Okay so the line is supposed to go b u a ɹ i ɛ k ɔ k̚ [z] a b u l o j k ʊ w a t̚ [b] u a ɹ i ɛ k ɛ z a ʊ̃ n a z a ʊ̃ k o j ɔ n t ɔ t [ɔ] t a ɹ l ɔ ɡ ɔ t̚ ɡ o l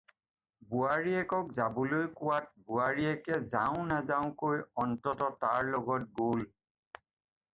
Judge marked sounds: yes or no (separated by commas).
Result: yes, yes, yes